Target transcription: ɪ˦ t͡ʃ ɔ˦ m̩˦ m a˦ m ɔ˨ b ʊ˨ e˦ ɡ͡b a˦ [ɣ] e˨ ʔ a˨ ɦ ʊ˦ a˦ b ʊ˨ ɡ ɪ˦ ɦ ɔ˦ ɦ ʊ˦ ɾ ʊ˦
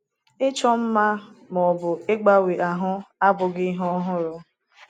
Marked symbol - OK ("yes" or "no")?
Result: no